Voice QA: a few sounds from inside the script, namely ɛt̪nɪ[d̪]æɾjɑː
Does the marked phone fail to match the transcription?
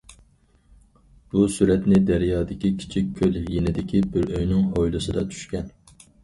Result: no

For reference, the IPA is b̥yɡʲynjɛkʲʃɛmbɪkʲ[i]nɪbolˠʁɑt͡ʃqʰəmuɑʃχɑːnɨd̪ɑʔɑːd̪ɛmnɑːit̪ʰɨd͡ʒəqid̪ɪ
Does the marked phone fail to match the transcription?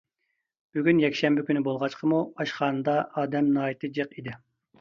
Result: yes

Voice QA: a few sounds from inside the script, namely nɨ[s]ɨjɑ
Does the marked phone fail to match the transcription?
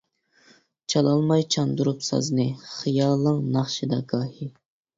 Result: yes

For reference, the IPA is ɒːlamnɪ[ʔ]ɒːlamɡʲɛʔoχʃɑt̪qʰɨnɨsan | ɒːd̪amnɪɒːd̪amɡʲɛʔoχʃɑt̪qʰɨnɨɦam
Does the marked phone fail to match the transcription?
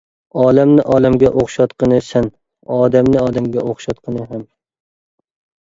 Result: no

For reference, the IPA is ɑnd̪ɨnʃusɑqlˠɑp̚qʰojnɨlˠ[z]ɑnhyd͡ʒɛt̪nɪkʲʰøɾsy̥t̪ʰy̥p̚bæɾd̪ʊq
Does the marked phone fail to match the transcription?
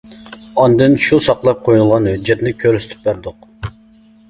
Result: yes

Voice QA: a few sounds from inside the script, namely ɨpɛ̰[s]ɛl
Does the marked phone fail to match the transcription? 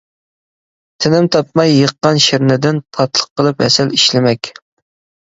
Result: no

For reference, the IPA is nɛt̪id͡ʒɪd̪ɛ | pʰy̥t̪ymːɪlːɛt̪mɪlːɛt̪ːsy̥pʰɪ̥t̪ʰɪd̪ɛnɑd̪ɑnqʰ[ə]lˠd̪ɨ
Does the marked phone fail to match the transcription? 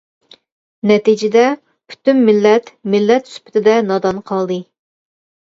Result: yes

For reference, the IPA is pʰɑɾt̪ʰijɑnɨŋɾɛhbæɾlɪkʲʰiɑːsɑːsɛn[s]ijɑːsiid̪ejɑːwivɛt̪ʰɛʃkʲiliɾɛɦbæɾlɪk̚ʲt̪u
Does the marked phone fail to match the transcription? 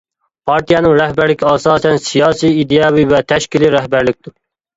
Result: no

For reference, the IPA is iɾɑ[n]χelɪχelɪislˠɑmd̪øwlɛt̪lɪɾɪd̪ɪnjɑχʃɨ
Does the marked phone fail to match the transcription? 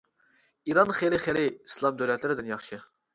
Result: no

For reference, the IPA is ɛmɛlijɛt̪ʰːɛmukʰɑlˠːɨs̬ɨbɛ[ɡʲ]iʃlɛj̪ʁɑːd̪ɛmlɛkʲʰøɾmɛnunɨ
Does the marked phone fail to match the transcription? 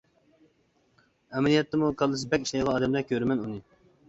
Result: yes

